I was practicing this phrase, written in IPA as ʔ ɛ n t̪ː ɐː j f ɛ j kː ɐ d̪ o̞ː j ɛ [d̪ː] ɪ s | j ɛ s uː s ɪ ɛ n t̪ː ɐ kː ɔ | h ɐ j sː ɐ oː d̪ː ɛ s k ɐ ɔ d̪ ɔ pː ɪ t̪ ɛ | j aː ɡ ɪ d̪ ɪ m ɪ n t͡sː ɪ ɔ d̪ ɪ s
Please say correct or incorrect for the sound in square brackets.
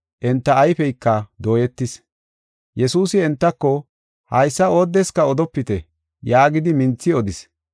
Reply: incorrect: t̪ː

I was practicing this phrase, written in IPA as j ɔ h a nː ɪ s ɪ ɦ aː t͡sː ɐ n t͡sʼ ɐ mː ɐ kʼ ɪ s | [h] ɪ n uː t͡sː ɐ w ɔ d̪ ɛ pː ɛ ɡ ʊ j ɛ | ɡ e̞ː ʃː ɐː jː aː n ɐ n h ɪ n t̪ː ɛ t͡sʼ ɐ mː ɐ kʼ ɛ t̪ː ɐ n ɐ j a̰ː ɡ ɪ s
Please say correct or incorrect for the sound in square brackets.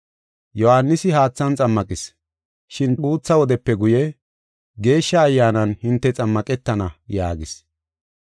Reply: incorrect: ʃ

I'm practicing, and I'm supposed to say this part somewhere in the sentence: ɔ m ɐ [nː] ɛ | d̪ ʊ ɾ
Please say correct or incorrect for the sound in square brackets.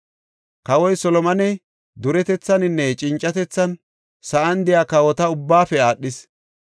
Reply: incorrect: n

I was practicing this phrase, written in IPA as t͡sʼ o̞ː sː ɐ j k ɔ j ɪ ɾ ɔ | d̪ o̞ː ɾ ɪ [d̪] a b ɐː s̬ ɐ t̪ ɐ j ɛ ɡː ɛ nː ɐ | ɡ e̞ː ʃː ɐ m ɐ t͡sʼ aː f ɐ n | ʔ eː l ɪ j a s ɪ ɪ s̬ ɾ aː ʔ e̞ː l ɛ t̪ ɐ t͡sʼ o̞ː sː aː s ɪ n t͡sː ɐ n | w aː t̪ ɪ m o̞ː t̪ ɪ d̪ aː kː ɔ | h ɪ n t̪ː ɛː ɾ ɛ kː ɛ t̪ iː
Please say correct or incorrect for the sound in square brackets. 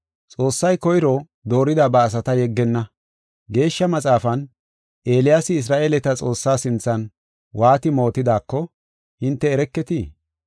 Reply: correct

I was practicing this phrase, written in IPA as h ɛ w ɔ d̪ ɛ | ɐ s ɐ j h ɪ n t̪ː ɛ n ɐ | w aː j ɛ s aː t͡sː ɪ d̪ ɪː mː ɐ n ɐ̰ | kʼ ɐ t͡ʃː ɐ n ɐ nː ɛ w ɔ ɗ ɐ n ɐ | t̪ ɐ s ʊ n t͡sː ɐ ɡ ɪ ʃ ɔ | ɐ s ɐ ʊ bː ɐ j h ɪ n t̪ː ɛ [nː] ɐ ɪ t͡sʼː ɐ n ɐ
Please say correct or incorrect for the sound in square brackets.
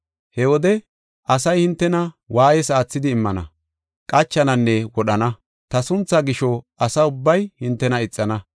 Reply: incorrect: n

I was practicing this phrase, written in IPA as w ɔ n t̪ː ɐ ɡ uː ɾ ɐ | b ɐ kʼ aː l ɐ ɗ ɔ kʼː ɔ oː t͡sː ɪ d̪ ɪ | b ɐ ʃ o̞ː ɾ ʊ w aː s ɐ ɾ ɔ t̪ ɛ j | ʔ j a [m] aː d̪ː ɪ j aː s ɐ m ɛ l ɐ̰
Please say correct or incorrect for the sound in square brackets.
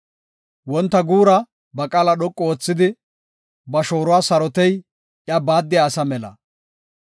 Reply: incorrect: b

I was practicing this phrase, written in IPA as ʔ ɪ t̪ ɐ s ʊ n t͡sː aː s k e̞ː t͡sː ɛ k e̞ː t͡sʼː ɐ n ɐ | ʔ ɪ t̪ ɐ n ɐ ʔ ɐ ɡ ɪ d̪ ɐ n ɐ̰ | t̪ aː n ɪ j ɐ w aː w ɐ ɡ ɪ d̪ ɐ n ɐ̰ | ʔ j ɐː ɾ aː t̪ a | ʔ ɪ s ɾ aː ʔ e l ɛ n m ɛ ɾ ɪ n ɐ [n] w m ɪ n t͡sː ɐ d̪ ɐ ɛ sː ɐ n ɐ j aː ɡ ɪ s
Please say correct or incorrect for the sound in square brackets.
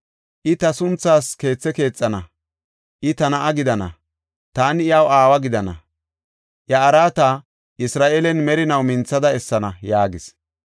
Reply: incorrect: none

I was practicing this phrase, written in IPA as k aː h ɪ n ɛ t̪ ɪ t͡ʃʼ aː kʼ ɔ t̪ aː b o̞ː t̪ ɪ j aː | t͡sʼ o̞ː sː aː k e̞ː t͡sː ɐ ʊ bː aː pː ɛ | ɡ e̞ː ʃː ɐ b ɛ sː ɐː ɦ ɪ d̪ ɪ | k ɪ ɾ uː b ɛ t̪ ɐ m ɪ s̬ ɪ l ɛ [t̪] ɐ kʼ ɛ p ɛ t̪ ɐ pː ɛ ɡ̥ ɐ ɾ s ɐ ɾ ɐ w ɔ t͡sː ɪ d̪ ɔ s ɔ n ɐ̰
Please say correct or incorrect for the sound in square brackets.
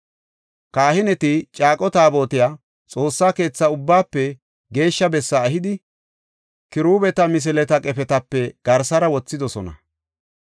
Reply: correct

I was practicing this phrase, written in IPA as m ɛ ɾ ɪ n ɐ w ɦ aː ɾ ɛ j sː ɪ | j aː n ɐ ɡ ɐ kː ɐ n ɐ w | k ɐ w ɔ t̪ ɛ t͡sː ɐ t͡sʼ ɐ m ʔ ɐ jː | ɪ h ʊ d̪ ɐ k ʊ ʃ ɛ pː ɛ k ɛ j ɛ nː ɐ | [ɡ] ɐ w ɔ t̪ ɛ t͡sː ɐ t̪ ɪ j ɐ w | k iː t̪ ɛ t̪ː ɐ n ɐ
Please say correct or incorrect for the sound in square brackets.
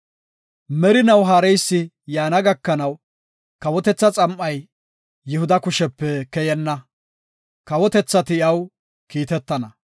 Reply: incorrect: k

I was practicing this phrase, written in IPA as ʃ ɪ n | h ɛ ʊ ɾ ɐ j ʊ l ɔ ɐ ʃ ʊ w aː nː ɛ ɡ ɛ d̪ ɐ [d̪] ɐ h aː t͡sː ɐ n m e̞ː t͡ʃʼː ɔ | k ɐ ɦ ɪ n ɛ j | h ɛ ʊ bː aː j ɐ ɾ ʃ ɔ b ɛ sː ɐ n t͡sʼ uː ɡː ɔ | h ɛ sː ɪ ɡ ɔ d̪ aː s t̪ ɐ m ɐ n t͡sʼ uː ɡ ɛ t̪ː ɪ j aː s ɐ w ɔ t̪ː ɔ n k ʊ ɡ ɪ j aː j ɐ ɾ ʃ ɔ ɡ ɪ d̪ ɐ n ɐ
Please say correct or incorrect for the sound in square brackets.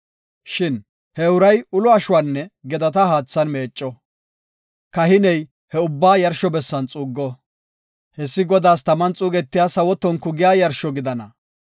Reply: incorrect: t̪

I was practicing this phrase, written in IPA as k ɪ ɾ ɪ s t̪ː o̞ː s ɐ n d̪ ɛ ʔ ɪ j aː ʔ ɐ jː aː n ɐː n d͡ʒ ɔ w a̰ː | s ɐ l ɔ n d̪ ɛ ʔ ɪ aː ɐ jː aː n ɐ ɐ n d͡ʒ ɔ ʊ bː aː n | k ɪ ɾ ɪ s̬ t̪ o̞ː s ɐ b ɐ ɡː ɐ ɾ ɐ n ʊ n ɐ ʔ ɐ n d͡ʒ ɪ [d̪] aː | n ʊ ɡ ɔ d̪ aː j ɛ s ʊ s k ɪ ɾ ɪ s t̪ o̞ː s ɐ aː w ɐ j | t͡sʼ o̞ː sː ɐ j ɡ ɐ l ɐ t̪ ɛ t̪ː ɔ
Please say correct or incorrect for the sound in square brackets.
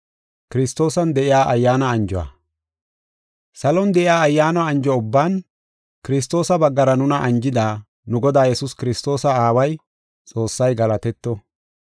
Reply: correct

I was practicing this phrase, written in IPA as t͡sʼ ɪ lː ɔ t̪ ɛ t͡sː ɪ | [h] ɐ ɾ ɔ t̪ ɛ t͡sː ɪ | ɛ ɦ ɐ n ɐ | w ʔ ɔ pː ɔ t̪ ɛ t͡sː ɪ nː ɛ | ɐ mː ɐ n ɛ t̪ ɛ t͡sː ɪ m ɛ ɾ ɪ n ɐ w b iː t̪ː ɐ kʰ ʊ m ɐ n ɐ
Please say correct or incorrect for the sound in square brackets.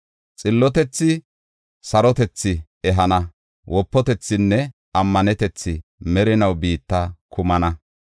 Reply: incorrect: s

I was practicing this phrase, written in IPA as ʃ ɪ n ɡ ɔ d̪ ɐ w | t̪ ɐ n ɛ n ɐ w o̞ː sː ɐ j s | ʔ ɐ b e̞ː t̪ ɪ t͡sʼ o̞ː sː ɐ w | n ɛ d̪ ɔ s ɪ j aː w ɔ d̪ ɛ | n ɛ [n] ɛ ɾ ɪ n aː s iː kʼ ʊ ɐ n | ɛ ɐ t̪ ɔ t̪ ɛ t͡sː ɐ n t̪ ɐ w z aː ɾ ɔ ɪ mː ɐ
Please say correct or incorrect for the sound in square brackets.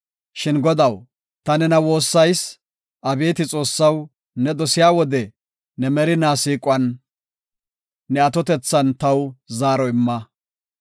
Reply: incorrect: m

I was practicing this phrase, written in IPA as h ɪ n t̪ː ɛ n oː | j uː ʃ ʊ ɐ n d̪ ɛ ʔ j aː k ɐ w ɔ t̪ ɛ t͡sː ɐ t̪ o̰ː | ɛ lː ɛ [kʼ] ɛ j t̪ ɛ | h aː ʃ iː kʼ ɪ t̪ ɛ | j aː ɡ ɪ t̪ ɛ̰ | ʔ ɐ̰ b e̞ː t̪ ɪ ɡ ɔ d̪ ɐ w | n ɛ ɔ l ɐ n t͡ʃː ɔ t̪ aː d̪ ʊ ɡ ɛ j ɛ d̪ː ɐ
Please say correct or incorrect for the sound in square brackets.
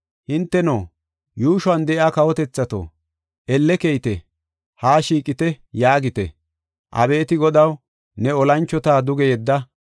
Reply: incorrect: k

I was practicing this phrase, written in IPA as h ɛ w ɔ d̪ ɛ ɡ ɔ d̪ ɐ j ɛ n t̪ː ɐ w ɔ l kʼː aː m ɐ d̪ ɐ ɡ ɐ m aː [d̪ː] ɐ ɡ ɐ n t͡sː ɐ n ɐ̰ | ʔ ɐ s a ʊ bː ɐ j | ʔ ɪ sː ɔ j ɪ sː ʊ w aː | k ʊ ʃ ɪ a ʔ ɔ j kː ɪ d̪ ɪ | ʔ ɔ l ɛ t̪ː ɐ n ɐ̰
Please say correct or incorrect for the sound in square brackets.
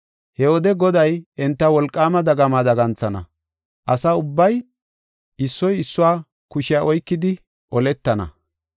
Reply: incorrect: d̪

